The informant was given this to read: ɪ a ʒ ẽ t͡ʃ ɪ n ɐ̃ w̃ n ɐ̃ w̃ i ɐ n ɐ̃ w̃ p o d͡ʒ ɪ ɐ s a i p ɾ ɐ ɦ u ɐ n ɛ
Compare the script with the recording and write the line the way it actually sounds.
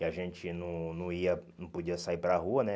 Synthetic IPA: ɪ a ʒ ẽ t͡ʃ ɪ n ɐ̃ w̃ n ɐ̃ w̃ i ɐ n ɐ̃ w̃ p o d͡ʒ i ɐ s a i p ɾ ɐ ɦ u ɐ n ɛ